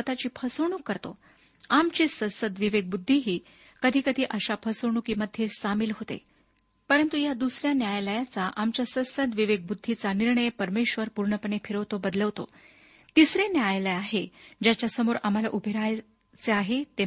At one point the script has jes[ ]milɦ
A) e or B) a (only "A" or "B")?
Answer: B